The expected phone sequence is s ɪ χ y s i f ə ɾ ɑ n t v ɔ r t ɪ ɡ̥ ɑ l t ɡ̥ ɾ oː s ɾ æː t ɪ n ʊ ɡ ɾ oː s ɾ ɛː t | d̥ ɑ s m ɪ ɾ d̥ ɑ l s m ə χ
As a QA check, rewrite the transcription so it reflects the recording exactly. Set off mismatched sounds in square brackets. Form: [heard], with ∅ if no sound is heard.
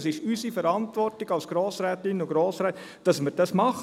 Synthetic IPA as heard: s ɪ [ʃ] y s i f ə ɾ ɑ n t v ɔ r t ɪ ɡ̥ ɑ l [s] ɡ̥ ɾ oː s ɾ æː t ɪ n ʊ ɡ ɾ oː s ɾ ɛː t | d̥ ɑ s m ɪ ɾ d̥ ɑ [∅] s m [ɑ] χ

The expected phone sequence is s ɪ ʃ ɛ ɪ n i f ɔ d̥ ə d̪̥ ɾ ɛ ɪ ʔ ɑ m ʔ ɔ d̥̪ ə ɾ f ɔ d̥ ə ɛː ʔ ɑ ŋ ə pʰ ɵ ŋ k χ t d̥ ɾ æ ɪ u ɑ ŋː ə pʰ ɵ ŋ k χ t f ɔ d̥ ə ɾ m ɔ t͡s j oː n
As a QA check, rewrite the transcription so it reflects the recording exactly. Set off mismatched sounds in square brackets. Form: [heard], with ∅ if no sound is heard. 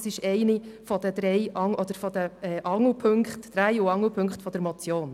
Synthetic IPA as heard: s ɪ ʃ ɛ ɪ n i f ɔ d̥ ə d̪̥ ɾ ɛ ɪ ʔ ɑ [ŋ] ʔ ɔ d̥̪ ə ɾ f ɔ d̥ ə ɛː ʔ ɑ ŋ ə pʰ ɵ ŋ k χ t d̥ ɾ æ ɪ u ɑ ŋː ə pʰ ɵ ŋ k χ t f ɔ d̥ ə ɾ m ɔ t͡s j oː n

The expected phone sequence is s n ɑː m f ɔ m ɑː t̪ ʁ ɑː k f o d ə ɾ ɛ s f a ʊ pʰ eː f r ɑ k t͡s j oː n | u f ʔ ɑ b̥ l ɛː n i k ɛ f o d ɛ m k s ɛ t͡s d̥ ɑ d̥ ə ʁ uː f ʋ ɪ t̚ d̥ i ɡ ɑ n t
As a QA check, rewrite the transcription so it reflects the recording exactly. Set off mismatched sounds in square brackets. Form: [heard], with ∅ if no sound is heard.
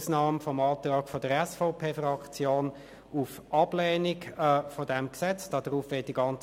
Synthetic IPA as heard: s n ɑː m f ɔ m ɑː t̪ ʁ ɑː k f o d ə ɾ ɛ s f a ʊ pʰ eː f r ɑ k t͡s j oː n | u f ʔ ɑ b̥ l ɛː n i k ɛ f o d ɛ m k s ɛ t͡s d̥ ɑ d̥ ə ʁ uː f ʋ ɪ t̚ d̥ i ɡ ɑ n [t͡s]

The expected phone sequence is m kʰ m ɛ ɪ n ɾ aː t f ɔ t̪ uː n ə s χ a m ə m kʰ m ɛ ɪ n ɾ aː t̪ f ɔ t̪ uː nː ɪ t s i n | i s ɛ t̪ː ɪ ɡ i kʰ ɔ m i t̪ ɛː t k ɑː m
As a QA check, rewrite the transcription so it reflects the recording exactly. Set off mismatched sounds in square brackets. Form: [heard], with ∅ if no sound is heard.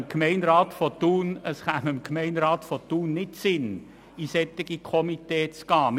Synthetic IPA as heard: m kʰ m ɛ ɪ n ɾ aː t f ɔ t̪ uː n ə s χ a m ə m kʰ m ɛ ɪ n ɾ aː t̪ f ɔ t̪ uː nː ɪ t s [ɪ] n | i s ɛ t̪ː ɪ ɡ i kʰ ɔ m i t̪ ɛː [t͡s] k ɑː m

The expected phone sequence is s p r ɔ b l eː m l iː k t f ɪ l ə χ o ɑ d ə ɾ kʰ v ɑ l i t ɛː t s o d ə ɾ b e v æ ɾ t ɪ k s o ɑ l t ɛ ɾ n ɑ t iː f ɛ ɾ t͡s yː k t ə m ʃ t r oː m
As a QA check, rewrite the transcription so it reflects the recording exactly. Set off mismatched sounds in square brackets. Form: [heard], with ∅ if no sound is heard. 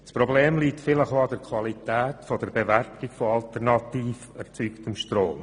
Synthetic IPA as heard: s p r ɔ b l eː m l iː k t f ɪ l ə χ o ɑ d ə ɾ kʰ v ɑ l i t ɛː t [f] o d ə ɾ b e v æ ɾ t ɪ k [f] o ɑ l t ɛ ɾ n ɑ t iː f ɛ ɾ t͡s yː k t ə m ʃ t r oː m

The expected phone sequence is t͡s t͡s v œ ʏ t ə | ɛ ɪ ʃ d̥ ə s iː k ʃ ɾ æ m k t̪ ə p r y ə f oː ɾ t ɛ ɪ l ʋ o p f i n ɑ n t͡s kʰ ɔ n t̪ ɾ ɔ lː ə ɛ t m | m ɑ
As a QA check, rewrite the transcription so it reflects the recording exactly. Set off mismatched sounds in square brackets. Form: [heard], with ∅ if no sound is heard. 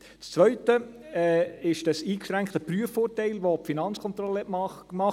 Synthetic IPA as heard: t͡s t͡s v œ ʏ t ə | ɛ ɪ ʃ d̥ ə s iː k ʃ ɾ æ [ŋ] k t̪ ə p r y ə f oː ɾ t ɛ ɪ l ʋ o p f i n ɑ n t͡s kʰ ɔ n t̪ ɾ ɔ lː ə ɛ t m | m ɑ

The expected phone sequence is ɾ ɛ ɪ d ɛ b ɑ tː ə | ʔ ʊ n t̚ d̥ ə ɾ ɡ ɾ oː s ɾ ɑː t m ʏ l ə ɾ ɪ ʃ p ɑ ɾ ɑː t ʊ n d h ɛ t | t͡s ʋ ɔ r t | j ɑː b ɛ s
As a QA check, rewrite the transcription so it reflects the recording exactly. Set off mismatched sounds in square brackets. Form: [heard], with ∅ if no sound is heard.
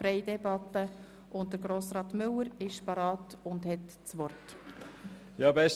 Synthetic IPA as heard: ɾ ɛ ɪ d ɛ b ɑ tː ə | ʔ ʊ n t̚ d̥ ə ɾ ɡ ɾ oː s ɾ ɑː t m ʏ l ə ɾ ɪ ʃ p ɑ ɾ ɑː t ʊ n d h ɛ t | t͡s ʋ ɔ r t | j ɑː b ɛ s

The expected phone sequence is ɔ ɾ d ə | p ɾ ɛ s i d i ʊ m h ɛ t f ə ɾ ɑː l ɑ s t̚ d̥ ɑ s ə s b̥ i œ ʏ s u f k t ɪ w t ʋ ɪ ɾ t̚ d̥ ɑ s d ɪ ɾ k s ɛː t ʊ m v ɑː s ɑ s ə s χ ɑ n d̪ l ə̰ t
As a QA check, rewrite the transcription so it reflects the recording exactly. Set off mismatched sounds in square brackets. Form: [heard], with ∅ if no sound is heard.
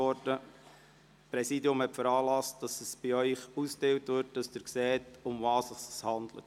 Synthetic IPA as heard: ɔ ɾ d ə | p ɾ ɛ s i d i ʊ m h ɛ t f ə ɾ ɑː l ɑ s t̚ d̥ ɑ s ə s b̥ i œ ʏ [χ] u [s] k t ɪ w t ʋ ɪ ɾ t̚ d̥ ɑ s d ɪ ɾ k s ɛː t ʊ m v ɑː s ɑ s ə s [h] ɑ n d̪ l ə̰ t

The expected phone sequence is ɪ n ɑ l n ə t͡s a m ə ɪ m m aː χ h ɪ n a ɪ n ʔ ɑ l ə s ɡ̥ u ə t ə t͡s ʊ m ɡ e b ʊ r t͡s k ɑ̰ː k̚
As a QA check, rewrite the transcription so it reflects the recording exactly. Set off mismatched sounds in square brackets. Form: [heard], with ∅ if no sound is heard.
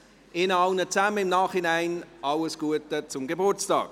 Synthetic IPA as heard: ɪ n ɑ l n ə t͡s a m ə ɪ m [n] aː χ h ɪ n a ɪ n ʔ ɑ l ə s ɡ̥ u ə t ə t͡s ʊ m ɡ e b ʊ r t͡s [t] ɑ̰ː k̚

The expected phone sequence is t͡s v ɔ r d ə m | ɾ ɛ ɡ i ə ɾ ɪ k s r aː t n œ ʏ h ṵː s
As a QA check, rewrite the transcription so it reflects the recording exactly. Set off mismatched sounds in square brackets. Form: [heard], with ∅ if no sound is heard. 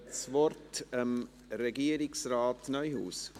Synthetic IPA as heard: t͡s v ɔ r [t] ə m | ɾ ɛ ɡ i ə ɾ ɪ k s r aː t n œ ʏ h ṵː s

